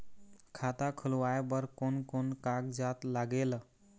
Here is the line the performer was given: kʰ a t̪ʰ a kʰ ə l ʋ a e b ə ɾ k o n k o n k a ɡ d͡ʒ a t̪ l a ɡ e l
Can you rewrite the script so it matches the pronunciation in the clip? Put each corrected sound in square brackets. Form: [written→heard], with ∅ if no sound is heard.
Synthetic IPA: kʰ a [t̪ʰ→t̪] a kʰ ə l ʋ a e b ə ɾ k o n k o n k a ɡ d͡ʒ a t̪ l a ɡ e l